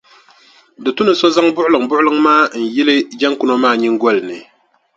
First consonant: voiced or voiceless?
voiced